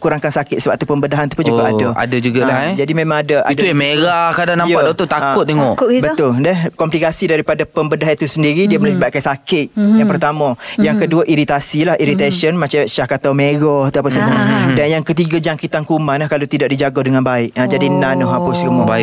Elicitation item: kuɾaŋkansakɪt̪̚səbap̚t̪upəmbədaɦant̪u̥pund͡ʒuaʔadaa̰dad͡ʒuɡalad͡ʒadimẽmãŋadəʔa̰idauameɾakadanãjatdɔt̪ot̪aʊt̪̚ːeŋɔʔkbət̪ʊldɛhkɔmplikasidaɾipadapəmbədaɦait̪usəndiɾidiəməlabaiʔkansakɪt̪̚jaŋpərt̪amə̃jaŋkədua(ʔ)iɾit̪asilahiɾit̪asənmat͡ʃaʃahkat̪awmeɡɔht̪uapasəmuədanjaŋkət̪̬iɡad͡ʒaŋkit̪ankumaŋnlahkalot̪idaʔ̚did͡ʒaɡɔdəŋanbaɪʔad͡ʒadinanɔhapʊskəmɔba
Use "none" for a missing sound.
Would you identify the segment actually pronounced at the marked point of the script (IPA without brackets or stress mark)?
ʔ